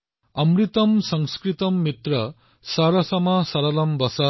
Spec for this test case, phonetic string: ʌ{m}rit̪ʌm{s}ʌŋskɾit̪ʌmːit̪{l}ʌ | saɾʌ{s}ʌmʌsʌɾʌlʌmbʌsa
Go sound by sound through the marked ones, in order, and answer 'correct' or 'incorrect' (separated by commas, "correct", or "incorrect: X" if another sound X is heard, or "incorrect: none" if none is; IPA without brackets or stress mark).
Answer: correct, correct, incorrect: r, correct